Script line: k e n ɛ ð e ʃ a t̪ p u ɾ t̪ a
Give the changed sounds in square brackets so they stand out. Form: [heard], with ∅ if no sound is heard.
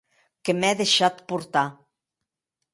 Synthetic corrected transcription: k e [m] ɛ ð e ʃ a t̪ p u ɾ t̪ a